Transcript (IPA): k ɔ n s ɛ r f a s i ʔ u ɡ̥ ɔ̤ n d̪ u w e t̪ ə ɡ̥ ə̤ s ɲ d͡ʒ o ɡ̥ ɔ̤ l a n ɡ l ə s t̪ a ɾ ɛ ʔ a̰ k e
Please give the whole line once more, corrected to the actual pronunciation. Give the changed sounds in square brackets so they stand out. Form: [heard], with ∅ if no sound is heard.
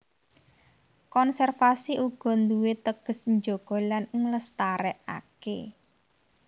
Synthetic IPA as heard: k ɔ n s ɛ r f a s i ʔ u ɡ̥ ɔ̤ n d̪ u w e t̪ ə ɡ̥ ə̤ s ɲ d͡ʒ o ɡ̥ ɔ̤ l a n [ŋ] l ə s t̪ a ɾ ɛ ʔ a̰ k e